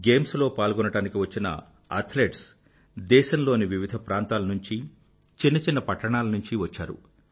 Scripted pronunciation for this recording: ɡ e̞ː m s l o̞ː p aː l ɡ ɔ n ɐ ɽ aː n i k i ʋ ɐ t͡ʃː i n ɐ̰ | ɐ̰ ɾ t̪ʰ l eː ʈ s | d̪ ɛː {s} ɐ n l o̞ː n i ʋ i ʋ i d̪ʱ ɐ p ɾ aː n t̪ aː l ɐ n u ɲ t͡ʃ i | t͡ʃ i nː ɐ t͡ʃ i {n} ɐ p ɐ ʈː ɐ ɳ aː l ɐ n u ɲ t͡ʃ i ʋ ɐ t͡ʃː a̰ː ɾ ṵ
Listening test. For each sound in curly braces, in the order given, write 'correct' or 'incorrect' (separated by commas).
incorrect, incorrect